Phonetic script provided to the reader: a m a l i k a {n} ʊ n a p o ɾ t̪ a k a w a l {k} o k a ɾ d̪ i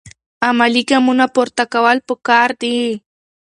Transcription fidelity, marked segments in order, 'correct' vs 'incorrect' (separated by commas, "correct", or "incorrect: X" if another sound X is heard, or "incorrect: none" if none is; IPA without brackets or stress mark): incorrect: m, incorrect: p